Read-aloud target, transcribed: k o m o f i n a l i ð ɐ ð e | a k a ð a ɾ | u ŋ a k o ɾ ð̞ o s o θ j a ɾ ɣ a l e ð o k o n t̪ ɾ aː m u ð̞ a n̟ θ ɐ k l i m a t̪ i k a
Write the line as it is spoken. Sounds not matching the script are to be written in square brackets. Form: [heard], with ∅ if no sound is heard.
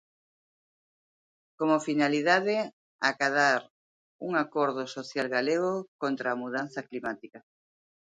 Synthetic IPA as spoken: k o m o f i n a l i ð [a] ð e | a k a ð a ɾ | u ŋ a k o ɾ ð̞ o s o θ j a [l] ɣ a l e [ɣ] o k o n t̪ ɾ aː m u ð̞ a n̟ θ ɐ k l i m a t̪ i k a